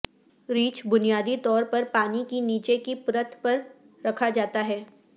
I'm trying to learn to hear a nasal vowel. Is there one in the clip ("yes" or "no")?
no